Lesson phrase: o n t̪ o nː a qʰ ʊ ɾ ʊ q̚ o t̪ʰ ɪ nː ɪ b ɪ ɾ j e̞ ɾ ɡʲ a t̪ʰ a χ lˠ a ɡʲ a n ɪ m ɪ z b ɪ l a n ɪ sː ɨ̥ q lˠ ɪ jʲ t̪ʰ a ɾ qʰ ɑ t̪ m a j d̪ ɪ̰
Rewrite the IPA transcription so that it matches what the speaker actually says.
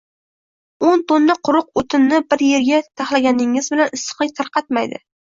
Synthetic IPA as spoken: o n t̪ o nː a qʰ ʊ ɾ ʊ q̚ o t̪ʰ ɪ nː ɪ b ɪ ɾ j e̞ ɾ ɡʲ a t̪ʰ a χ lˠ a ɡʲ a n ɪ ŋ ɪ z b ɪ l a n ɪ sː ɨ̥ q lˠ ɪ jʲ t̪ʰ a ɾ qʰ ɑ t̪ m a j d̪ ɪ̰